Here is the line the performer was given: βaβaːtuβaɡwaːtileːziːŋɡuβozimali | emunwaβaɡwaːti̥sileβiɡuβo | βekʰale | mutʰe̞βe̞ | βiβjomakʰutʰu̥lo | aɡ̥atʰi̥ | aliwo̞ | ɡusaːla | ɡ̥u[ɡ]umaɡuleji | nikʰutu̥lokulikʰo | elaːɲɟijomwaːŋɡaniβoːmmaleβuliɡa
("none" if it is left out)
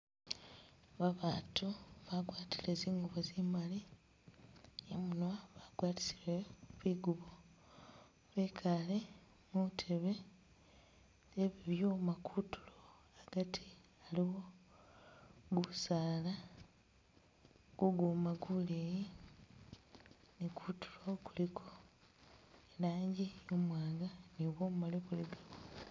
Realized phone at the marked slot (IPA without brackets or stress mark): ɡ